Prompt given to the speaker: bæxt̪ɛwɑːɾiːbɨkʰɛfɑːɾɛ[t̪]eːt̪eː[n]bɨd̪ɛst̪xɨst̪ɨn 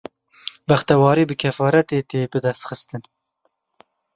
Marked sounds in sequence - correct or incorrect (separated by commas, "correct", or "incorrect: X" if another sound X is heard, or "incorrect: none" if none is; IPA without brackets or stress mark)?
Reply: correct, incorrect: none